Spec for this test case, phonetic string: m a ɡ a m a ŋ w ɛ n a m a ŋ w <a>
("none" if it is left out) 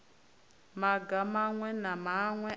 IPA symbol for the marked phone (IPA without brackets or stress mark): ɛ